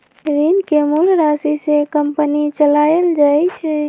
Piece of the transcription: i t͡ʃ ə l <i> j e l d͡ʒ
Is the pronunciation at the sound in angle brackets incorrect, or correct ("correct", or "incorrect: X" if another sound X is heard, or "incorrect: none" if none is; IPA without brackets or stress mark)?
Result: incorrect: a